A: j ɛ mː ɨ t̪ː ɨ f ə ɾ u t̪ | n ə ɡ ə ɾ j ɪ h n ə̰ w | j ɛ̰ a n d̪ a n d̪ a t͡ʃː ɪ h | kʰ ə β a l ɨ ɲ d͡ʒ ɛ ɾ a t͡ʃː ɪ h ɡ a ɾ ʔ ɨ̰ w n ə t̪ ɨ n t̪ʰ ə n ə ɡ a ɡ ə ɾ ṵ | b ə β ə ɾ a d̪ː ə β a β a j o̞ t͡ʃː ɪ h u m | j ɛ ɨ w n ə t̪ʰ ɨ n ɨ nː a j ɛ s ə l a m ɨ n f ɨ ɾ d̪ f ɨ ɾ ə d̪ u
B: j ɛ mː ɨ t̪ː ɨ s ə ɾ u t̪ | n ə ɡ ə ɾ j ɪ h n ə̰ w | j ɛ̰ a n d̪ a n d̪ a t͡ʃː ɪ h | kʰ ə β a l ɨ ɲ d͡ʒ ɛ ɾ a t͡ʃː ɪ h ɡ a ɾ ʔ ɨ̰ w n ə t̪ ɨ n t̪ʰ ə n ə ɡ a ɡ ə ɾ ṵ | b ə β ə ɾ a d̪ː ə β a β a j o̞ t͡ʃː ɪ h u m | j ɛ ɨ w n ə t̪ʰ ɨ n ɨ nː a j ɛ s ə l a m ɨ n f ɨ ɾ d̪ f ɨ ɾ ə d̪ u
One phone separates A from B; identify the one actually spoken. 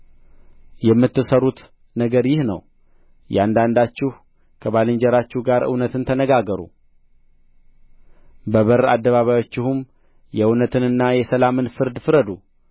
B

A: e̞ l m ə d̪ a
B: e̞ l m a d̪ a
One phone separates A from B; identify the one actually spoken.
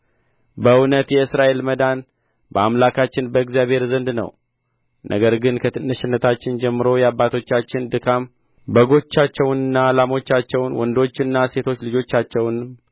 A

